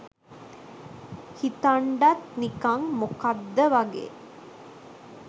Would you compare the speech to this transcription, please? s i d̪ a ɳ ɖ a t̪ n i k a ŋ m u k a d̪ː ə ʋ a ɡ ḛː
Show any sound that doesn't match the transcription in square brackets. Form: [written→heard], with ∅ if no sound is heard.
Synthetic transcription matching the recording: [s→h] i [d̪→t̪] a ɳ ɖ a t̪ n i k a ŋ m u k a d̪ː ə ʋ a ɡ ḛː